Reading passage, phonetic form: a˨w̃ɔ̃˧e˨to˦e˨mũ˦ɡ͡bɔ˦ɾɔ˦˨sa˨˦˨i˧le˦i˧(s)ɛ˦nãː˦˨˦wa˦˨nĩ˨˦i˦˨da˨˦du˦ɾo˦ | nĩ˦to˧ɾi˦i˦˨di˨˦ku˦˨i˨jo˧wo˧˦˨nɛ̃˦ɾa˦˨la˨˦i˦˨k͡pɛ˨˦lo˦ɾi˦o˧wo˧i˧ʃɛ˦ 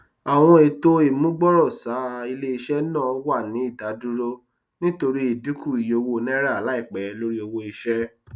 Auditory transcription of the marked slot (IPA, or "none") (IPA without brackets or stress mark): ʃ